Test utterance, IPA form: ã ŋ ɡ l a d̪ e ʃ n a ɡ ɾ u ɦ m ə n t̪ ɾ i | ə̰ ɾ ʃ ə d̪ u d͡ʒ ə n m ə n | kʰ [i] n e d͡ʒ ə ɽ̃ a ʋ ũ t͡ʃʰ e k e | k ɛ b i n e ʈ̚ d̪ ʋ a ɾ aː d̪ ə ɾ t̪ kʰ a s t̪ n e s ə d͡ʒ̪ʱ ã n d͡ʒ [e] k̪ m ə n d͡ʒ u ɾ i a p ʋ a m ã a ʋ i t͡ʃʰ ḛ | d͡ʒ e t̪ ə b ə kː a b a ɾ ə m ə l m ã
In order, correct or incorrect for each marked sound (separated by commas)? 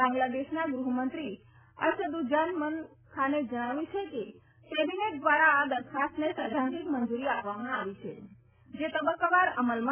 incorrect, incorrect